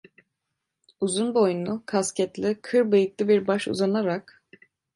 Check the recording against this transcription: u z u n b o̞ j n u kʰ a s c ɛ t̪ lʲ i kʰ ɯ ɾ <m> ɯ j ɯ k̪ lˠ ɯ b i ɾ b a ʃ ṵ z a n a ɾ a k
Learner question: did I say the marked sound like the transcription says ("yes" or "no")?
no